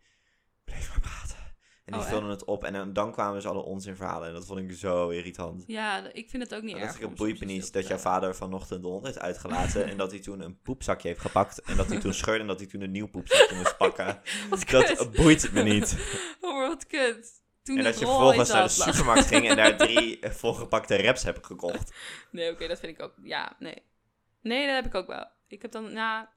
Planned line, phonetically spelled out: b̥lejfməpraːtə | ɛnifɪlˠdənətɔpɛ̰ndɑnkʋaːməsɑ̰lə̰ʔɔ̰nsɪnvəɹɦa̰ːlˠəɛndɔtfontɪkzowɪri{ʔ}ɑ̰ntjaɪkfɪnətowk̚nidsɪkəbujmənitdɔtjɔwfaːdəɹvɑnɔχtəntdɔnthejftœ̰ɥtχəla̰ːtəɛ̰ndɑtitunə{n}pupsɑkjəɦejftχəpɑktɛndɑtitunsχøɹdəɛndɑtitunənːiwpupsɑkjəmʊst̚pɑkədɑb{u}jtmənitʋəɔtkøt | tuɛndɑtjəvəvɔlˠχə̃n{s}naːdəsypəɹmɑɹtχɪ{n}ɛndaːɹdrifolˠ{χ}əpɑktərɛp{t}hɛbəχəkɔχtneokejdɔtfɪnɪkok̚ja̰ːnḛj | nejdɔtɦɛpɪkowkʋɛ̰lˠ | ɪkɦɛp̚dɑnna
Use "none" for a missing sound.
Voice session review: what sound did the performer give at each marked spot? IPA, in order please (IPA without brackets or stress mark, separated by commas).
t, n, u, s, ŋ, χ, s